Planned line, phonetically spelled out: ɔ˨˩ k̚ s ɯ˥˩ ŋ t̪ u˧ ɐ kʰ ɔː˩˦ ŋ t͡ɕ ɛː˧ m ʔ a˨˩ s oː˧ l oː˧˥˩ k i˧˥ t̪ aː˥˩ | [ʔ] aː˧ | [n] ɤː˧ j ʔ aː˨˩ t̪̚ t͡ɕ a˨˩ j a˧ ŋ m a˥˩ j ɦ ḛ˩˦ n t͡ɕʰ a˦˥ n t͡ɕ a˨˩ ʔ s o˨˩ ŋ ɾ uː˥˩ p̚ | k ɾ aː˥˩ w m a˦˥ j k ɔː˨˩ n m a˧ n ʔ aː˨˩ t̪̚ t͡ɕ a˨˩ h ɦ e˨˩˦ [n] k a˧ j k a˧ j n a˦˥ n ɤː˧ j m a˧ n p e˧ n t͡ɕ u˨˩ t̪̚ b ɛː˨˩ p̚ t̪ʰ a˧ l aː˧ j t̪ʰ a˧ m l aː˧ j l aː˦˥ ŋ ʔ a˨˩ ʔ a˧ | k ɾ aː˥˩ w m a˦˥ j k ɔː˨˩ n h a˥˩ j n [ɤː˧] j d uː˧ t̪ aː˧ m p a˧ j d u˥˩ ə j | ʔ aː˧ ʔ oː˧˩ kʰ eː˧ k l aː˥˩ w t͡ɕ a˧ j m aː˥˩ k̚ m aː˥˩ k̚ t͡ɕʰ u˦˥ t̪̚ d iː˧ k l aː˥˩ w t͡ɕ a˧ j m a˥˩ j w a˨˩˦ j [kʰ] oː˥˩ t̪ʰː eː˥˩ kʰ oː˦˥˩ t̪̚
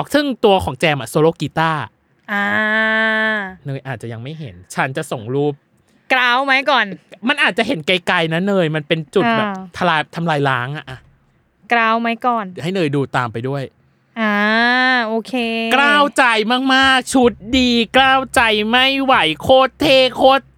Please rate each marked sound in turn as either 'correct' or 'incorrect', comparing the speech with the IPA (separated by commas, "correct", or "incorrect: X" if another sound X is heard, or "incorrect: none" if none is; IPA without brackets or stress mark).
correct, correct, correct, correct, correct